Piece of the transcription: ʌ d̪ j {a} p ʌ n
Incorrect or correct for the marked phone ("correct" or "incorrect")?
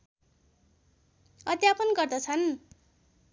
correct